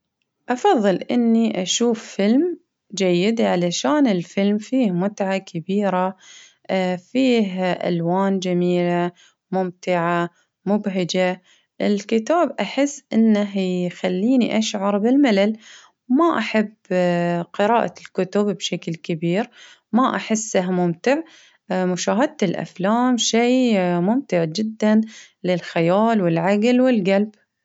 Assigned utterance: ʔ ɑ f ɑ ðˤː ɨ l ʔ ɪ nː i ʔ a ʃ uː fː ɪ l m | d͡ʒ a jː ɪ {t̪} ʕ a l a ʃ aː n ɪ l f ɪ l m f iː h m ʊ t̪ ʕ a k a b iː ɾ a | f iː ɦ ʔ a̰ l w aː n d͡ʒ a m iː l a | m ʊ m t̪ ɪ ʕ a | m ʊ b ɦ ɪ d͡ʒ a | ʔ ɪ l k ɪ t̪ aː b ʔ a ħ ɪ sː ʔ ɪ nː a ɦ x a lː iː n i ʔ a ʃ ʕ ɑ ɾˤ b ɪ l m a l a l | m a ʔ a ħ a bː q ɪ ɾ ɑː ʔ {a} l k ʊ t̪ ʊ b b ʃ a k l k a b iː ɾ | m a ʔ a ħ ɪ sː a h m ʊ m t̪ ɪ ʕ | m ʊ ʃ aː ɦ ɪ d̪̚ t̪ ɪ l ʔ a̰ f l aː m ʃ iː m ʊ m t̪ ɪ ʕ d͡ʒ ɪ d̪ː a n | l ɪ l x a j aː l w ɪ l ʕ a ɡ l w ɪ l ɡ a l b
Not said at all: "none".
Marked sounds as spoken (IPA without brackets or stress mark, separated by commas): d̪, a